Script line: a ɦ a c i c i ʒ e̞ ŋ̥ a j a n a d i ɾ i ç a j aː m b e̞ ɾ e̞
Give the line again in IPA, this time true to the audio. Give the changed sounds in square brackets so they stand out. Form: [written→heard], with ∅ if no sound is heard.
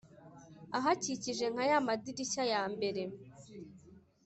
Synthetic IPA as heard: a ɦ a c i c i ʒ e̞ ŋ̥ a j a [n→m] a d i ɾ i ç a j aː m b e̞ ɾ e̞